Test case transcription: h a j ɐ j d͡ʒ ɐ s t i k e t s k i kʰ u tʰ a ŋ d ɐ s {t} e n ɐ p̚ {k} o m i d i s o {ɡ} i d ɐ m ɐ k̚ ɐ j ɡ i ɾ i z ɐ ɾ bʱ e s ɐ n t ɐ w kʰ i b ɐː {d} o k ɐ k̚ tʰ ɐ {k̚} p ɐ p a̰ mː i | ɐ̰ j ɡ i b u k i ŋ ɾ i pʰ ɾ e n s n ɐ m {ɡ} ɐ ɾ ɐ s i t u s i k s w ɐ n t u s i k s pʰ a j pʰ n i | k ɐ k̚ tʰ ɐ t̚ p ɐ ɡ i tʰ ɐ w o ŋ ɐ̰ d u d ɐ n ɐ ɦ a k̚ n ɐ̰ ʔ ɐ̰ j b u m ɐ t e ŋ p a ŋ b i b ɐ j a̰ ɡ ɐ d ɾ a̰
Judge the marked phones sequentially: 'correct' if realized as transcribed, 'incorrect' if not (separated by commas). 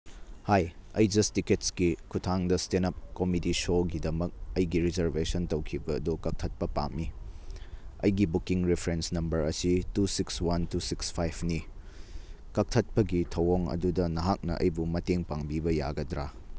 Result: correct, correct, correct, correct, incorrect, incorrect